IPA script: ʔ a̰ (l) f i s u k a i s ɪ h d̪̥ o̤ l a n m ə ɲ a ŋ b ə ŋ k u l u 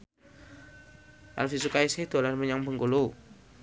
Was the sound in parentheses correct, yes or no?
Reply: yes